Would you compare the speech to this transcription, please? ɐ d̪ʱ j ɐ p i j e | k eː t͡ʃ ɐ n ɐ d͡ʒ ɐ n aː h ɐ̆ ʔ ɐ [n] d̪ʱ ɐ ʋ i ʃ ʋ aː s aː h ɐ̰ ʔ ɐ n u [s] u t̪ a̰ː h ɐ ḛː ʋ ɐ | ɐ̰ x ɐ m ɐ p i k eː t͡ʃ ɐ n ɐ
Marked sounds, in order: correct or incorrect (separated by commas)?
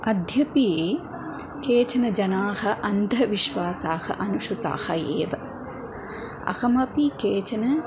correct, incorrect